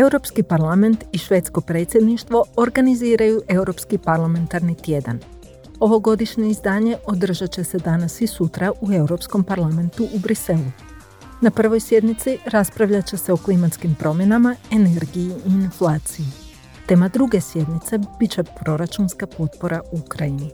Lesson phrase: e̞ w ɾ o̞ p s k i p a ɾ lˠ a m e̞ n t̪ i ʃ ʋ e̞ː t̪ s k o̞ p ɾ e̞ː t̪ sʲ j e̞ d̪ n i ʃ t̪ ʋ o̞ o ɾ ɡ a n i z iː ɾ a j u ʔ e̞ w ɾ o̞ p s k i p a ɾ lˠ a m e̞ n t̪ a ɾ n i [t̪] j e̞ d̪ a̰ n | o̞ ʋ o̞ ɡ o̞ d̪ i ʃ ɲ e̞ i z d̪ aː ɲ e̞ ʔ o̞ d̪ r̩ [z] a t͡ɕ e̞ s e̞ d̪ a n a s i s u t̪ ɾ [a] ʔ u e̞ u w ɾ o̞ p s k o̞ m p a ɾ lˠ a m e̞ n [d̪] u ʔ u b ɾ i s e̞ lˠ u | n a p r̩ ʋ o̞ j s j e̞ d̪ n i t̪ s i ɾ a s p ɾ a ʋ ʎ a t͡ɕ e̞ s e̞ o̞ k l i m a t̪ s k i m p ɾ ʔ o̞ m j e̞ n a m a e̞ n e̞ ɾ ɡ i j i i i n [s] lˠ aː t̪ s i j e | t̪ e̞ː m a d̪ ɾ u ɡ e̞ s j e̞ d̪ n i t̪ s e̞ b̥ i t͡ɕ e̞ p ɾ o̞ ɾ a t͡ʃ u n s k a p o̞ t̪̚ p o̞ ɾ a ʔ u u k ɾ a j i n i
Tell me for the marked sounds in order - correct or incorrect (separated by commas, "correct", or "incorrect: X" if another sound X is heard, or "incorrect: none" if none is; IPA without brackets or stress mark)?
correct, incorrect: ʒ, correct, incorrect: t̪, incorrect: f